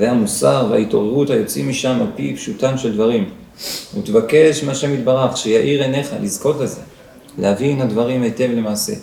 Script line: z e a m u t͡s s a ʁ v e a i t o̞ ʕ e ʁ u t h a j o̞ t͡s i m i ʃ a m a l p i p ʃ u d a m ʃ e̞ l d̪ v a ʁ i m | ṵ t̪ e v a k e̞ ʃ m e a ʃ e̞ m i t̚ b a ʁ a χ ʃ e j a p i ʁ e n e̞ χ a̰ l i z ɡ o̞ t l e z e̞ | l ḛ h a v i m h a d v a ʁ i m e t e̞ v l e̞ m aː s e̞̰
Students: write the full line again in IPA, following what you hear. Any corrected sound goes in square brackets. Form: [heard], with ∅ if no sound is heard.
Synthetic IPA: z e a m u [∅] s a ʁ v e a i t o̞ [ʁ] e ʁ u t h a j o̞ t͡s i m i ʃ a m a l p i p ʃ u [t] a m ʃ e̞ l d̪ v a ʁ i m | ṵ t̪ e v a k e̞ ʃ m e a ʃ e̞ m i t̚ b a ʁ a χ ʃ e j a [ʔ] i ʁ e n e̞ χ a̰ l i z [k] o̞ t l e z e̞ | l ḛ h a v i [n] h a d v a ʁ i m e t e̞ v l e̞ m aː s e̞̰